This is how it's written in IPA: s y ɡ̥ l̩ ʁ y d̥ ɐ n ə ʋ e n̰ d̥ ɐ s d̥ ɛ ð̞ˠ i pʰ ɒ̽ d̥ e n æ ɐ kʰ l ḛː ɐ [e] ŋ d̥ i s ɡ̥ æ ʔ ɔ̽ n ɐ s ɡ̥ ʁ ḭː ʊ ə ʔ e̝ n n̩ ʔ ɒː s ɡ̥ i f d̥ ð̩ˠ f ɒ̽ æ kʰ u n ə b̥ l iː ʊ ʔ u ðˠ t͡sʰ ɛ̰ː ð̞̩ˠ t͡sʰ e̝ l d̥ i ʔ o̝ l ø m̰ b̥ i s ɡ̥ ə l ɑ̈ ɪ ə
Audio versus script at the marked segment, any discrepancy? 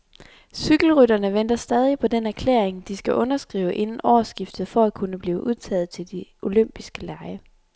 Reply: no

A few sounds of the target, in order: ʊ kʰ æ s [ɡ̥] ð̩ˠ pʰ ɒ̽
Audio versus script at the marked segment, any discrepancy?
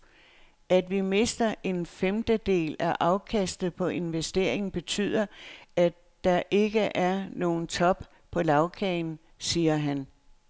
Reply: yes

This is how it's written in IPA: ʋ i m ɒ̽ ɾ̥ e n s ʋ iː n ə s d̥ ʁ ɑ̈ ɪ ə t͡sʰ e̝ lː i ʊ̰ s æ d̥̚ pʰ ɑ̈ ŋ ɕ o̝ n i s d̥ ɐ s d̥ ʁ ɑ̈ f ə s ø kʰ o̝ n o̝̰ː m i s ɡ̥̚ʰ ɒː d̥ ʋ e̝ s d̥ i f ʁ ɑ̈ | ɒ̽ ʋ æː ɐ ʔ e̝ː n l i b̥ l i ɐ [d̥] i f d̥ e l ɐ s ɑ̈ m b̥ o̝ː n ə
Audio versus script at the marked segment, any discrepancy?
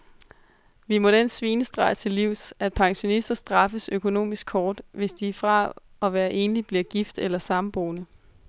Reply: yes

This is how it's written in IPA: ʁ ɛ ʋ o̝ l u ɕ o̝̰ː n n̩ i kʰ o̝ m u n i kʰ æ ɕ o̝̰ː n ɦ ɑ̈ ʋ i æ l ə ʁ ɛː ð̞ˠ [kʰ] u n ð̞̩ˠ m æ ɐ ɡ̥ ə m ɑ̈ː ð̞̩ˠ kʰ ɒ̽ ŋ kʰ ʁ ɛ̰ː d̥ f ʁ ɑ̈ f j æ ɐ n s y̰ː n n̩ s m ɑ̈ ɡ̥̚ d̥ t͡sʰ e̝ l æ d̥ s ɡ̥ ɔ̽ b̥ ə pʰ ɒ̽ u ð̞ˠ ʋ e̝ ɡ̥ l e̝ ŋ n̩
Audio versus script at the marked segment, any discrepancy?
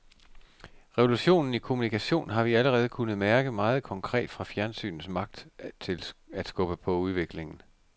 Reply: no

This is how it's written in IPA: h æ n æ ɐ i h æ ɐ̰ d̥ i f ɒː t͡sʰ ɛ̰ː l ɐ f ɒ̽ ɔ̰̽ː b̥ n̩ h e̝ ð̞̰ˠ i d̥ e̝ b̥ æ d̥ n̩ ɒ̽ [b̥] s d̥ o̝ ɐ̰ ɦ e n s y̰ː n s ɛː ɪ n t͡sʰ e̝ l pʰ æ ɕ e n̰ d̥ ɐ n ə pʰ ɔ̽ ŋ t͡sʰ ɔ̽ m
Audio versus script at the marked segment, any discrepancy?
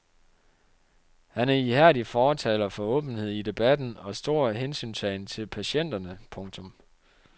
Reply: yes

